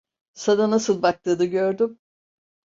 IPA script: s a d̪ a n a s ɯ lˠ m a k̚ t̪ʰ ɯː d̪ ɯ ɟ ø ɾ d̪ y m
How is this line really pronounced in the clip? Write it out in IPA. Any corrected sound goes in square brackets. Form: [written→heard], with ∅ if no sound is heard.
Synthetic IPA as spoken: s a d̪ a n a s ɯ lˠ [m→b] a k̚ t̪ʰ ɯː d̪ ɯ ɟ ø ɾ d̪ y m